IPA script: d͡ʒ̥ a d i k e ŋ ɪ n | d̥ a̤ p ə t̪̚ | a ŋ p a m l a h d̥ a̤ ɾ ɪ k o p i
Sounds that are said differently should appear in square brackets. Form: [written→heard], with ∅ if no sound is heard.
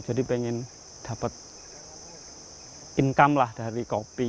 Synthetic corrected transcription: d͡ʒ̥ a d i [k→p] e ŋ ɪ n | d̥ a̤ p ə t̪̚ | [a→i] ŋ [p→k] a m l a h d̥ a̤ ɾ [ɪ→i] k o p i